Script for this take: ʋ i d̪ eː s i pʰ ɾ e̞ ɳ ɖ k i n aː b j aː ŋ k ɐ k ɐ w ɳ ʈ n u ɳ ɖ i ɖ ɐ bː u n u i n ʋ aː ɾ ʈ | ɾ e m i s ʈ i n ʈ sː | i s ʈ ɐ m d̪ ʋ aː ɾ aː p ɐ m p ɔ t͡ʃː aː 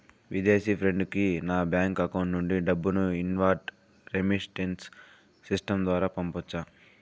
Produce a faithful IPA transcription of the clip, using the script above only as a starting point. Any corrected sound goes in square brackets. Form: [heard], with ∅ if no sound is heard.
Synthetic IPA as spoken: ʋ i d̪ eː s i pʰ ɾ e̞ ɳ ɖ k i n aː b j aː ŋ k ɐ k ɐ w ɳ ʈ n u ɳ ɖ i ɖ ɐ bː u n u i n ʋ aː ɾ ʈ | ɾ e m i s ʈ [e] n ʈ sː | i s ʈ ɐ m d̪ ʋ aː ɾ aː p ɐ m p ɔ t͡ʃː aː